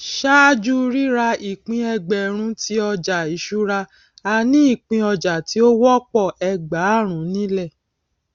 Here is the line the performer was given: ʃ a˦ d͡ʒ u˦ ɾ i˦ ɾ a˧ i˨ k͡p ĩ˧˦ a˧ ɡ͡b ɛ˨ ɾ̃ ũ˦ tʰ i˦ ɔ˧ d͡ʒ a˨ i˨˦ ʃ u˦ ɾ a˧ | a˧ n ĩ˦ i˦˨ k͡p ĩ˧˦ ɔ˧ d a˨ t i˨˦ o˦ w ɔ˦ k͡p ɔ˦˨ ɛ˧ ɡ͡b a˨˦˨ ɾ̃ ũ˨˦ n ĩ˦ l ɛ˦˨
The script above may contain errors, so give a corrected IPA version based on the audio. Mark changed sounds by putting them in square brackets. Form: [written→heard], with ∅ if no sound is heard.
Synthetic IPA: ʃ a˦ d͡ʒ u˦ ɾ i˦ ɾ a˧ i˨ k͡p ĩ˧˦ [a˧→ɛ˧] ɡ͡b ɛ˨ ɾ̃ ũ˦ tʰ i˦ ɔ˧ d͡ʒ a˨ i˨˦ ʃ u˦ ɾ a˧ | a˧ n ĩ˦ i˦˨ k͡p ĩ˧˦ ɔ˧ [d→d͡ʒ] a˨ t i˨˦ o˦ w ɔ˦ k͡p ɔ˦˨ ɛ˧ ɡ͡b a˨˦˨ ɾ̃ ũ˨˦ n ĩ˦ l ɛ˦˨

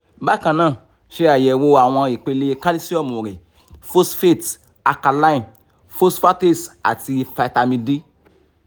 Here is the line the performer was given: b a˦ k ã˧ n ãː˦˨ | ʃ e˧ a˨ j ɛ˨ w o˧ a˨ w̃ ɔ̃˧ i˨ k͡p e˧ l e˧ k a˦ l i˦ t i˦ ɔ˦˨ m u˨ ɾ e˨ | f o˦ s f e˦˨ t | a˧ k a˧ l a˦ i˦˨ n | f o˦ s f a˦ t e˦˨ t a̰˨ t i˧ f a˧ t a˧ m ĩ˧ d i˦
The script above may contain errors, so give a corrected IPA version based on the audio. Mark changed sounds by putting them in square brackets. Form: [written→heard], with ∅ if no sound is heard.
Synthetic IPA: b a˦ k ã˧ n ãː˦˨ | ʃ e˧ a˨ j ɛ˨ w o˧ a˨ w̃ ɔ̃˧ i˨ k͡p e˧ l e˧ k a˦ l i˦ [t→s] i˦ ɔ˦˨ m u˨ ɾ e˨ | f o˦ s f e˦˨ t | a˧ k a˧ l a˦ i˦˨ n | f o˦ s f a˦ t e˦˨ [t→s] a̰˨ t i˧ f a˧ t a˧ m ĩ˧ d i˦

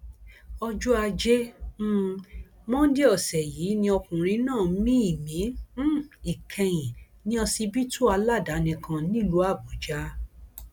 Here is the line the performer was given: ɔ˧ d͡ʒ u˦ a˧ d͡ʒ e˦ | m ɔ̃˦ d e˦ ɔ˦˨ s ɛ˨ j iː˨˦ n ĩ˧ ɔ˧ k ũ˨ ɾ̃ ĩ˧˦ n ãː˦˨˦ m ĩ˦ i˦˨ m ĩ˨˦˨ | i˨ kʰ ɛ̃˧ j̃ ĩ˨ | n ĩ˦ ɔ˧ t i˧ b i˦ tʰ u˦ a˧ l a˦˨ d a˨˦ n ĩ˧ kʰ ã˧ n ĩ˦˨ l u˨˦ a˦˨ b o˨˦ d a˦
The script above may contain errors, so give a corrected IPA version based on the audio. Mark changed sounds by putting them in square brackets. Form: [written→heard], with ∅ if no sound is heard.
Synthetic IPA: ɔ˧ d͡ʒ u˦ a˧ d͡ʒ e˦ | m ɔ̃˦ d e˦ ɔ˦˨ s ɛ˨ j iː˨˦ n ĩ˧ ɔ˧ k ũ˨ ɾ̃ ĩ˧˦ n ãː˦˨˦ m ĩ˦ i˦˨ m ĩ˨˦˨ | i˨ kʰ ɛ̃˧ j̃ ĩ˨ | n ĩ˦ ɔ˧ [t→s] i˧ b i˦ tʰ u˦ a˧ l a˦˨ d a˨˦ n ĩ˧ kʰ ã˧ n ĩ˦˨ l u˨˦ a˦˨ b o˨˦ [d→d͡ʒ] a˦

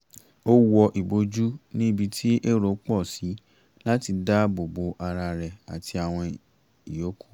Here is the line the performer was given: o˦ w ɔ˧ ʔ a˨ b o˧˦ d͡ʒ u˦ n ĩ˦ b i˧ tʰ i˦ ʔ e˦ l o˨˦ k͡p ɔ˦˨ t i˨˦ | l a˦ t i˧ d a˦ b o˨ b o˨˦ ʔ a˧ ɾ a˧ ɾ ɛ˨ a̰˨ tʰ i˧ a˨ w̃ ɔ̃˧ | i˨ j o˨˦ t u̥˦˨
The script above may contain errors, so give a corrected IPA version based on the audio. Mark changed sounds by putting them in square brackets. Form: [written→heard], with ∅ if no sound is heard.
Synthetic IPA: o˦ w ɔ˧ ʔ [a˨→i˨] b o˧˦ d͡ʒ u˦ n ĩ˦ b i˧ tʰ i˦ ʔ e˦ [l→ɾ] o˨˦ k͡p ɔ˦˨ [t→s] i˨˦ | l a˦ t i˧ d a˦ b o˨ b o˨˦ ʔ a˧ ɾ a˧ ɾ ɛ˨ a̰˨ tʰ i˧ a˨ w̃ ɔ̃˧ | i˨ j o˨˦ [t→k] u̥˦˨

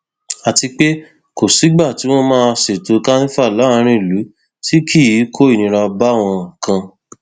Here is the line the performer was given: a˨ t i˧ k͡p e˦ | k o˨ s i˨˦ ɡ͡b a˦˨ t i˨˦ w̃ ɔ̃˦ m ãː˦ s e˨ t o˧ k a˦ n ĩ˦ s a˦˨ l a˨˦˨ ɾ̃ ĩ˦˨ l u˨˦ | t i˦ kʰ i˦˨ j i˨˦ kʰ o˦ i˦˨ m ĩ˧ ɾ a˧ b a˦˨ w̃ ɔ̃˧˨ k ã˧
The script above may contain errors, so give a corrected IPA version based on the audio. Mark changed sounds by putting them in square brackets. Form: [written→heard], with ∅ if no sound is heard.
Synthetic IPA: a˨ t i˧ k͡p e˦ | k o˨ s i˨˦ ɡ͡b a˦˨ t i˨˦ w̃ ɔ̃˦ m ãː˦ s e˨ t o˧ k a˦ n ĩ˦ [s→f] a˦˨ l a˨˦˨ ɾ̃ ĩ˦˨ l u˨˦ | t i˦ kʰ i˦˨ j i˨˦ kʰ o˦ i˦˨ [m→n] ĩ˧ ɾ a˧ b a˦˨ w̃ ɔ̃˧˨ k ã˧

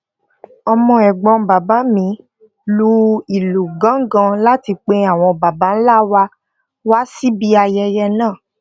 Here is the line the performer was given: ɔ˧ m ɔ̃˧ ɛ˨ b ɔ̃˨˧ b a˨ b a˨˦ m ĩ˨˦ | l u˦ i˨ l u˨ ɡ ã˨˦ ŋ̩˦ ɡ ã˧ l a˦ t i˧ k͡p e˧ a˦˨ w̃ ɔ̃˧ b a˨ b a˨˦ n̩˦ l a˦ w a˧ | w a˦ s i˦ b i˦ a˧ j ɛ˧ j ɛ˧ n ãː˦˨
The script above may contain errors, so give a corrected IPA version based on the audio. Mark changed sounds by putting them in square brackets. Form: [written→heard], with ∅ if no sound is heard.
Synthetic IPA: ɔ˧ m ɔ̃˧ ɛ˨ [b→ɡ͡b] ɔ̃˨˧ b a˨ b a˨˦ m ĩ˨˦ | l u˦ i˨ l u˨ ɡ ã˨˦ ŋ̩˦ ɡ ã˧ l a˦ t i˧ k͡p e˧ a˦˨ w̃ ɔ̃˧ b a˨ b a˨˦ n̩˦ l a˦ w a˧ | w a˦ s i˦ b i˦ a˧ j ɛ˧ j ɛ˧ n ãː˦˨

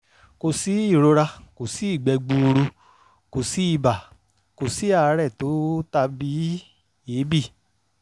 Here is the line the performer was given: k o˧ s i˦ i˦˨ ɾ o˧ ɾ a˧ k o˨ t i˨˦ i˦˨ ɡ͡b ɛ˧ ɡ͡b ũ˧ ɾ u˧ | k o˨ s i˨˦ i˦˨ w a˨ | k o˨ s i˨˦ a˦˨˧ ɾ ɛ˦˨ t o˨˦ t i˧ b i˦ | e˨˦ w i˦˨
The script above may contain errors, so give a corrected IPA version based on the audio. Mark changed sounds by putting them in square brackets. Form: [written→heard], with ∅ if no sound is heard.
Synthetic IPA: k o˧ s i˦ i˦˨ ɾ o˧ ɾ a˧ k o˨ [t→s] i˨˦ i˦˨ ɡ͡b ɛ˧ ɡ͡b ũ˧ ɾ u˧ | k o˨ s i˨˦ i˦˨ [w→b] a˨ | k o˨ s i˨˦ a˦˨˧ ɾ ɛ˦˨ t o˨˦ t [i˧→a˧] b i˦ | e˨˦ [w→b] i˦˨

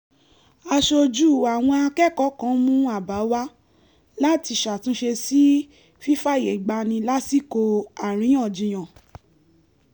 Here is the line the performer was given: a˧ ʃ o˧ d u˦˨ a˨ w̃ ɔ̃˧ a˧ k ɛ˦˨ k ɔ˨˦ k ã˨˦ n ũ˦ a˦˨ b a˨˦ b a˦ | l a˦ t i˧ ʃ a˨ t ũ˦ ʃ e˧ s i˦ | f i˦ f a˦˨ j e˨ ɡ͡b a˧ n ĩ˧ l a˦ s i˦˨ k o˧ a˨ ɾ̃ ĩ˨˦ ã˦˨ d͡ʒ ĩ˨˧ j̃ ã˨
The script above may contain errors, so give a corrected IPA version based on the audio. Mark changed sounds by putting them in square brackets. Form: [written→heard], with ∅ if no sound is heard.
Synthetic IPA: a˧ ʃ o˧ [d→d͡ʒ] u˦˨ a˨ w̃ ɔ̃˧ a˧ k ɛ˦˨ k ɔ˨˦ k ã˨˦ [n→m] ũ˦ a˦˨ b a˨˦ [b→w] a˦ | l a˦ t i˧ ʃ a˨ t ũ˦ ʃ e˧ s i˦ | f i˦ f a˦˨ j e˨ ɡ͡b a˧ n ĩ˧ l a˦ s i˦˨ k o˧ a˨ ɾ̃ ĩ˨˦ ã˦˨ d͡ʒ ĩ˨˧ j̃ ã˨

